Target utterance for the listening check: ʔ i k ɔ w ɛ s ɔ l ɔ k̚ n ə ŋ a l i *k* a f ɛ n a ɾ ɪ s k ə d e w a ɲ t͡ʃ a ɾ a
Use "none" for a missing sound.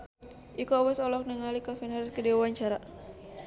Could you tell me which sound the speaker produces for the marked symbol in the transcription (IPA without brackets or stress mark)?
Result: k